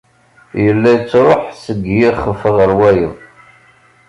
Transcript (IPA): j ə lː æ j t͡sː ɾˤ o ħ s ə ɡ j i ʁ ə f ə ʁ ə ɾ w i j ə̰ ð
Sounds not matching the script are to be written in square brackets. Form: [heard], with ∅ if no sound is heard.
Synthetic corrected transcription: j ə lː æ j t͡sː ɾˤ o ħ s ə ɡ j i [χ] ə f ə ʁ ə ɾ w [æ] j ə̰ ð